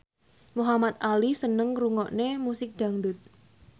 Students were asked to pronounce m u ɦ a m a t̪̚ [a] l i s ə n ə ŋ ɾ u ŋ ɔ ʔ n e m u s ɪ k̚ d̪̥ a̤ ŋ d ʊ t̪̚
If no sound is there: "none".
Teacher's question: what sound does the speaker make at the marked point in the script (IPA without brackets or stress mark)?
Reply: a